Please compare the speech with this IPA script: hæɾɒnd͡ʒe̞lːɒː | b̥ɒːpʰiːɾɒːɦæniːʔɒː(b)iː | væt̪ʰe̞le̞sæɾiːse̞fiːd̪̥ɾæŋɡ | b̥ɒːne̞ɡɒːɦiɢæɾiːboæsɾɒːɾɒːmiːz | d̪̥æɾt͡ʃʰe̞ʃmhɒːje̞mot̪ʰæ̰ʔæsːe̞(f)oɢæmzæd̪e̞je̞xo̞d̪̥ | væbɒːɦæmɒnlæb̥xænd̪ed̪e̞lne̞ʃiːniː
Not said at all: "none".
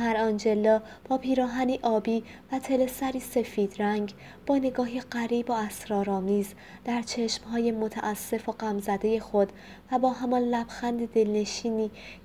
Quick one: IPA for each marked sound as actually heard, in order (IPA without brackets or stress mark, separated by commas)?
b, f